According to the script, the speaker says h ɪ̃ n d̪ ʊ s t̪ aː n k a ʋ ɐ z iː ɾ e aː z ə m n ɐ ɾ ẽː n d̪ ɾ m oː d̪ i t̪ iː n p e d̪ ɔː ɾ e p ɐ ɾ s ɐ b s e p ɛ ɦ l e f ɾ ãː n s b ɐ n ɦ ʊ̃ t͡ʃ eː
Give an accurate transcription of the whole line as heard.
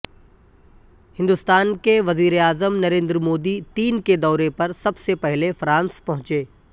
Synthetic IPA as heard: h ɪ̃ n d̪ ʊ s t̪ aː n k e ʋ ɐ z iː ɾ e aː z ə m n ɐ ɾ ẽː n d̪ ɾ m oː d̪ i t̪ iː n k e d̪ ɔː ɾ e p ɐ ɾ s ɐ b s e p ɛ ɦ l e f ɾ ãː n s p ɐ ɦ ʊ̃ t͡ʃ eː